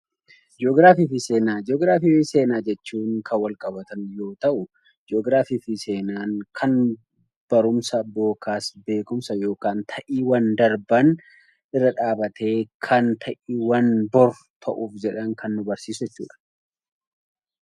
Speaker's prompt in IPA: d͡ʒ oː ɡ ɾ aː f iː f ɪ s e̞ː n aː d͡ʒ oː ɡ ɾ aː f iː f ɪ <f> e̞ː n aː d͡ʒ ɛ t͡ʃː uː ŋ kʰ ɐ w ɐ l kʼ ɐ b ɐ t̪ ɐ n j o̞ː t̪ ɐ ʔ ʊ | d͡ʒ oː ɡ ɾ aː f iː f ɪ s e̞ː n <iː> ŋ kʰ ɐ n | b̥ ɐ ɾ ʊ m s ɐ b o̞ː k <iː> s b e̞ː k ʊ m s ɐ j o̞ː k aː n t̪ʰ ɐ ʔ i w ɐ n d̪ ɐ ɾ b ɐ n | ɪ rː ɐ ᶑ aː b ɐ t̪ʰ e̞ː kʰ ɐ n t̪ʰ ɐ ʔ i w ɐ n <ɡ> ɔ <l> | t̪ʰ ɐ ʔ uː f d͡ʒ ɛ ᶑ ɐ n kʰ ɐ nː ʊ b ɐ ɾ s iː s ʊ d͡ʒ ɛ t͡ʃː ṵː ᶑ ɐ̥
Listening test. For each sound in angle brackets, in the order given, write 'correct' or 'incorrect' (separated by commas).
incorrect, incorrect, incorrect, incorrect, incorrect